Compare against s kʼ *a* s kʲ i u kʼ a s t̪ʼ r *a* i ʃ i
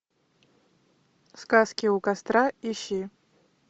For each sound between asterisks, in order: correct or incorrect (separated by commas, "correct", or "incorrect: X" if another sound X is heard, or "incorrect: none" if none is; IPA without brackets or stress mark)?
correct, correct